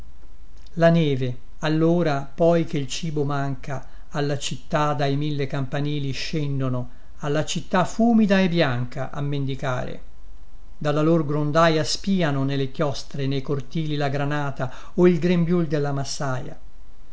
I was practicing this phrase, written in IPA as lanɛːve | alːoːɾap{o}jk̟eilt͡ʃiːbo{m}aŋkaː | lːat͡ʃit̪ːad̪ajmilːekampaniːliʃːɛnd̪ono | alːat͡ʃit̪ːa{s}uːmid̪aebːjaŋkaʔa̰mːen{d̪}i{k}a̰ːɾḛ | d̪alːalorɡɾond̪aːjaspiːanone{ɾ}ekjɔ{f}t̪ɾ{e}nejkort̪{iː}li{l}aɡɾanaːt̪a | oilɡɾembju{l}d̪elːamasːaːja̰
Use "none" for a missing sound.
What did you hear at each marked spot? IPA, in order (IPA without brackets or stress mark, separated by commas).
ɔ, m, f, d̪, k, l, s, e, iː, l, l